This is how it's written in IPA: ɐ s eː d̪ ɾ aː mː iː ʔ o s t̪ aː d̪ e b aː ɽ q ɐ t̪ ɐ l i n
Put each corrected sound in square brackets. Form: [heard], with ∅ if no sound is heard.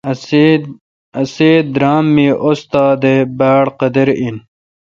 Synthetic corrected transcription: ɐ s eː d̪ ɾ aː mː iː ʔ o s t̪ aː d̪ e b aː ɽ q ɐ [d̪] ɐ [ɾ] i n